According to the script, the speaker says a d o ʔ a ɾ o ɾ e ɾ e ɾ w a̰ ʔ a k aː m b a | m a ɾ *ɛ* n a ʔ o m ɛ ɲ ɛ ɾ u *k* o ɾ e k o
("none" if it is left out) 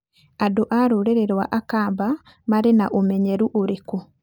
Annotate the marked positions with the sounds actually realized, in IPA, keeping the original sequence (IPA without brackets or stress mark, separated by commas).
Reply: e, ʔ